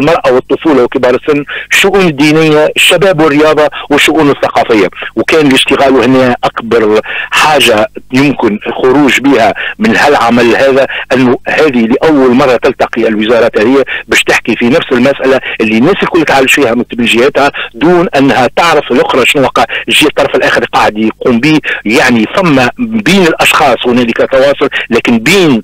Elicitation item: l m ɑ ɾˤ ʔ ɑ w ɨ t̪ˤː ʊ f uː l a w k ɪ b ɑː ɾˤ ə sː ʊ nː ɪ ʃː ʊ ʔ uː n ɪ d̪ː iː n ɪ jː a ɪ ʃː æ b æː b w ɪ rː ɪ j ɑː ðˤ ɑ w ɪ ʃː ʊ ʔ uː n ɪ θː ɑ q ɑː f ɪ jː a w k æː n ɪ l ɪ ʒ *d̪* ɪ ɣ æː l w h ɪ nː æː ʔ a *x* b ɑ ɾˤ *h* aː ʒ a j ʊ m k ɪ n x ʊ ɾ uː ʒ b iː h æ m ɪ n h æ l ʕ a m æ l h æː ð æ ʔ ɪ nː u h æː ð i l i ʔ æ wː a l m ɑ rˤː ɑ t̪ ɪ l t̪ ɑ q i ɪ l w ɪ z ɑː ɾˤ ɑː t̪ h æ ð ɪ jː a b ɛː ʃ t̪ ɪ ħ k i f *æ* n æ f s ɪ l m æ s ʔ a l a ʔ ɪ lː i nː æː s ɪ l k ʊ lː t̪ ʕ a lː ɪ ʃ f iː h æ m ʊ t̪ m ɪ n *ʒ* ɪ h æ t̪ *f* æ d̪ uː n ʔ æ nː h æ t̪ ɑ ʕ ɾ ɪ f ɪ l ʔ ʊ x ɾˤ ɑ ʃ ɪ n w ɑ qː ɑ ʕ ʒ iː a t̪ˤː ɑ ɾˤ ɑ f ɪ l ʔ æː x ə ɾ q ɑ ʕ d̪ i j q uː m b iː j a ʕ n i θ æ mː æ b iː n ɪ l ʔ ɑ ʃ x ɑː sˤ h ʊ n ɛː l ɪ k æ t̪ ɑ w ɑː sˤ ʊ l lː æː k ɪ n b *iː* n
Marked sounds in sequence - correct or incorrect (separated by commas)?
incorrect, incorrect, incorrect, incorrect, correct, incorrect, correct